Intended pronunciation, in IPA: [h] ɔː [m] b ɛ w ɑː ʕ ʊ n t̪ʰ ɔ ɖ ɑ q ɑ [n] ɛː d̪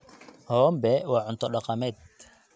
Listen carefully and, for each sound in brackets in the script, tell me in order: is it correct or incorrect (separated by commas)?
correct, correct, incorrect